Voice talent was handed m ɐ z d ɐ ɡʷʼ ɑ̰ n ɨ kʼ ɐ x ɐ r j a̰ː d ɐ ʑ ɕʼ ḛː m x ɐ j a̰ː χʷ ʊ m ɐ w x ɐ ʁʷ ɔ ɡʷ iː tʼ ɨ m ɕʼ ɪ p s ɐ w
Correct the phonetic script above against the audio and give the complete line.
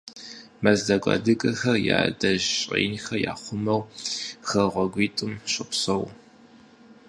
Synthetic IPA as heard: m ɐ z d ɐ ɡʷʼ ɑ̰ d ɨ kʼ ɐ x ɐ r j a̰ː d ɐ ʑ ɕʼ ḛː n x ɐ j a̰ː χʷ ʊ m ɐ w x ɐ ʁʷ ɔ ɡʷ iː tʼ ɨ m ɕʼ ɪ p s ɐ w